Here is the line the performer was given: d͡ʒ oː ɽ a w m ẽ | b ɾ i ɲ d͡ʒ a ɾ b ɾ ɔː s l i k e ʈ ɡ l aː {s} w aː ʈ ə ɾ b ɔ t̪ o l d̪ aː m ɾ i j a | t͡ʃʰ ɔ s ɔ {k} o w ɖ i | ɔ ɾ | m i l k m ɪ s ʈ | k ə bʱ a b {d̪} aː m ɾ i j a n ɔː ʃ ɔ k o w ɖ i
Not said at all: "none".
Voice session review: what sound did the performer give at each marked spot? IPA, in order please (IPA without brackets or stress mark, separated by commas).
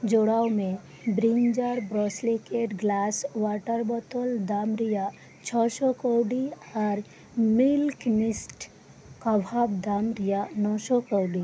s, k, d̪